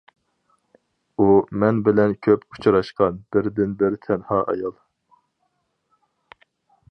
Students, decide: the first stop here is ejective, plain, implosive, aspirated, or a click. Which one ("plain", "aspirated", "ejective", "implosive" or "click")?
plain